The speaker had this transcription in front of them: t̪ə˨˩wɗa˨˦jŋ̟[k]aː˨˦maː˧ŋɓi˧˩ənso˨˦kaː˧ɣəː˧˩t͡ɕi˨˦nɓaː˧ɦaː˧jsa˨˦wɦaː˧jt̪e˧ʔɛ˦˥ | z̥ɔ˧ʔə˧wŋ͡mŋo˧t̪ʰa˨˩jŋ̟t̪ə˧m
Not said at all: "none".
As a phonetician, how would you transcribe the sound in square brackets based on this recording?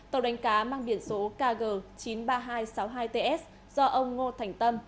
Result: k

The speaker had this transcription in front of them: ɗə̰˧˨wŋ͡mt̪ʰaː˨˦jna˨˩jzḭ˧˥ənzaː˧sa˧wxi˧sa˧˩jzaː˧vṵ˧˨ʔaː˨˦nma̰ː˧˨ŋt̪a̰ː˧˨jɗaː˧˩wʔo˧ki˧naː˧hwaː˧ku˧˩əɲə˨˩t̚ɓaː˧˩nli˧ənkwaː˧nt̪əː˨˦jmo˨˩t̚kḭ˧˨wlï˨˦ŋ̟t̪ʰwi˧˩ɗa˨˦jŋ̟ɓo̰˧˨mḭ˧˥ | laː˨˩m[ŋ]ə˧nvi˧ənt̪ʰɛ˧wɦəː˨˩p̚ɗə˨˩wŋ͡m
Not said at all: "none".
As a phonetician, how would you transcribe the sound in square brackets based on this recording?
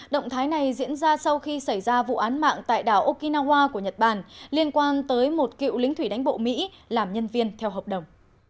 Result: ɲ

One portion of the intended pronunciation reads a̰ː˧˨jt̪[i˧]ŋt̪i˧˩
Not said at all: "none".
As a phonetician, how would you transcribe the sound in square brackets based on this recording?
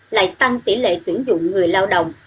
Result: a˧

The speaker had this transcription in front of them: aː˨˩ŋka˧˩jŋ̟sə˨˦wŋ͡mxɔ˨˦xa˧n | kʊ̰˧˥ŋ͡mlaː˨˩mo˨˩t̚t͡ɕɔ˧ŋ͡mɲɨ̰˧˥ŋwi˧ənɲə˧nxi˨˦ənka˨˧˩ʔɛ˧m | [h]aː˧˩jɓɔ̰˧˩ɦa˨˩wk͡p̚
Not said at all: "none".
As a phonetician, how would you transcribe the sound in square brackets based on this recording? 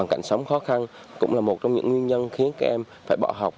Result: f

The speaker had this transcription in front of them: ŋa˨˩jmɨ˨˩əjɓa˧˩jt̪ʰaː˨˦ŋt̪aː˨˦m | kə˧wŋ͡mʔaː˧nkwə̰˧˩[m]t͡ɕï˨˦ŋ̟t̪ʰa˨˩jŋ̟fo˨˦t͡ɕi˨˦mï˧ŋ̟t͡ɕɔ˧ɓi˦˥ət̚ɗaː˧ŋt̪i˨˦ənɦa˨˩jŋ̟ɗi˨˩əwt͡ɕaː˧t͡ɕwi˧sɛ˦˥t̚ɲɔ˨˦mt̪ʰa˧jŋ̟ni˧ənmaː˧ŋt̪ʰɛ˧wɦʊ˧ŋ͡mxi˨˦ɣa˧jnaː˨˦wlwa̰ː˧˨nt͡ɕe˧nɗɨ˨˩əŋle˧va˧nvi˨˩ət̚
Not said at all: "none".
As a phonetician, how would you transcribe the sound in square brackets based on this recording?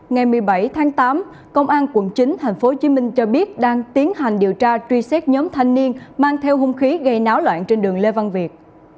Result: n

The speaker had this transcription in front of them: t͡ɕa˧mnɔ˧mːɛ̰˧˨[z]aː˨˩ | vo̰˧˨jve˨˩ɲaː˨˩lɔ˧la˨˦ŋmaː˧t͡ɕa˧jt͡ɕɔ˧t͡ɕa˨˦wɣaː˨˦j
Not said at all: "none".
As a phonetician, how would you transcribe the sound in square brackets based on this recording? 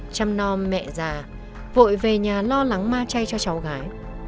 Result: z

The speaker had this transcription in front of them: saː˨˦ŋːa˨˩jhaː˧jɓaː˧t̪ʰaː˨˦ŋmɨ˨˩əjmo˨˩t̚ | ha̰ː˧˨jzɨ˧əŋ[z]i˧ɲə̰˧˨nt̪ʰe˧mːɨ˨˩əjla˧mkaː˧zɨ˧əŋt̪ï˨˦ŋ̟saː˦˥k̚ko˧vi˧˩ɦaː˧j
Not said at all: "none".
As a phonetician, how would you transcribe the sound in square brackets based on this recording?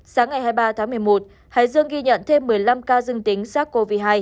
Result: ɣ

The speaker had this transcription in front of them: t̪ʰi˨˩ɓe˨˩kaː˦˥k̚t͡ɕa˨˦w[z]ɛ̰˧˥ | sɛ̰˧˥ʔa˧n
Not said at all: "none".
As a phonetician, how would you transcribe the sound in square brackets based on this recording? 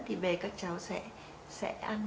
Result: s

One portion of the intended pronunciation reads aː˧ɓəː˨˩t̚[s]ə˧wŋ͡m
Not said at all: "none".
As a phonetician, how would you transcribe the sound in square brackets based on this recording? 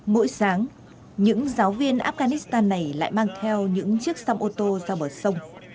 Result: s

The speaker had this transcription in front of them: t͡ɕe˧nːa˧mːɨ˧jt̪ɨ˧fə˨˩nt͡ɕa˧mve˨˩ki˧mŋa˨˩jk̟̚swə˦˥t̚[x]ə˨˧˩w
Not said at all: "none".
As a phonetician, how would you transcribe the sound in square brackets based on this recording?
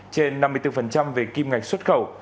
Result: x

